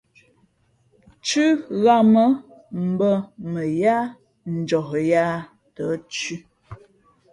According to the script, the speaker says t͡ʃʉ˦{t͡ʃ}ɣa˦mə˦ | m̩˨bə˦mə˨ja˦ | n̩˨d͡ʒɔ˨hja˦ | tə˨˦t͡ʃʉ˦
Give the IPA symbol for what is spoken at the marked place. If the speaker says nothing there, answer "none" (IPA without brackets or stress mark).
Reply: none